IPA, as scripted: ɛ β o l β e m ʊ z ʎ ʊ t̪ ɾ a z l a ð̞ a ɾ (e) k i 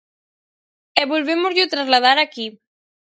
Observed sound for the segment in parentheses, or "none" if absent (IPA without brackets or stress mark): a